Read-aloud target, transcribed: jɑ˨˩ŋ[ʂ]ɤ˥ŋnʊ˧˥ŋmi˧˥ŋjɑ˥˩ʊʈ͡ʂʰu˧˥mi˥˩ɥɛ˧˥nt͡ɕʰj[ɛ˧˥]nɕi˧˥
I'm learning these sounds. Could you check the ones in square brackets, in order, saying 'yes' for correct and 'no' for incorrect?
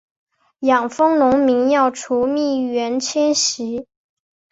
no, no

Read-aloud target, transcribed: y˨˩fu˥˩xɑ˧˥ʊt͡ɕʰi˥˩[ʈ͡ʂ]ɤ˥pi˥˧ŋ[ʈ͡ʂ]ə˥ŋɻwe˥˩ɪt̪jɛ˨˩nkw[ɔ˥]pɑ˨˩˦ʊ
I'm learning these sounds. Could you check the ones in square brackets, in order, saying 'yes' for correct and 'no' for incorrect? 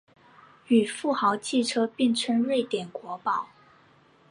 no, no, no

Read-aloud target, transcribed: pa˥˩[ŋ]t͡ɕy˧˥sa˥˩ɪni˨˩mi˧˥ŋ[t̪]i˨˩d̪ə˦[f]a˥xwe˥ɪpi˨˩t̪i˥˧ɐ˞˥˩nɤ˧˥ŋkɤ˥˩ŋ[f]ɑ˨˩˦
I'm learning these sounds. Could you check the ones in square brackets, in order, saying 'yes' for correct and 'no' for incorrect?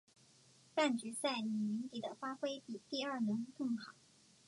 no, yes, yes, no

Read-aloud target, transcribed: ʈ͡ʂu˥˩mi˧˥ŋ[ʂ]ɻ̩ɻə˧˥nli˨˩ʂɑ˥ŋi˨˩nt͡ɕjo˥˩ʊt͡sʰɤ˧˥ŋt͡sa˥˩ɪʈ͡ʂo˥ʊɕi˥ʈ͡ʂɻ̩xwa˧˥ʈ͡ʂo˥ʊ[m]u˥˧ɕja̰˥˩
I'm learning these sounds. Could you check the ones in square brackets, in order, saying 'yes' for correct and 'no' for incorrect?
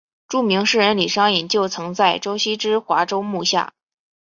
yes, yes

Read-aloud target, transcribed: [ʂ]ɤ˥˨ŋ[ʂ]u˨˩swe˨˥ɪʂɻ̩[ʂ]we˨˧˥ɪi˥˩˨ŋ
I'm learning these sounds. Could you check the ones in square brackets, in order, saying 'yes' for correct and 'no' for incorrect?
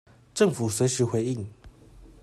no, no, no

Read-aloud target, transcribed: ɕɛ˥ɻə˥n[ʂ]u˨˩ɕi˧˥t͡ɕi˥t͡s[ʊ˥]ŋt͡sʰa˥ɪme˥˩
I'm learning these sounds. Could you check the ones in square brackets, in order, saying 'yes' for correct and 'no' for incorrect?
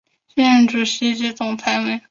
no, no

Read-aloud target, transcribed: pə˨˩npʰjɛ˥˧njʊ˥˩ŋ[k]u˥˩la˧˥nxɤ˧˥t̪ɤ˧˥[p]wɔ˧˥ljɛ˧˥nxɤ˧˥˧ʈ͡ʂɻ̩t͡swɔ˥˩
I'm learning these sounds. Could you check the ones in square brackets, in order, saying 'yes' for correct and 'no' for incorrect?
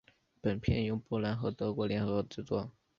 no, no

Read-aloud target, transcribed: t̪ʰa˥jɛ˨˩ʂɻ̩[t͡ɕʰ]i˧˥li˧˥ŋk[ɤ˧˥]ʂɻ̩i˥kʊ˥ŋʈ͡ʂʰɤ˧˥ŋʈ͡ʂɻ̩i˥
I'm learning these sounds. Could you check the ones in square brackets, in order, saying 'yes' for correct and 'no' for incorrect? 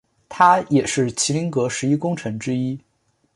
yes, yes

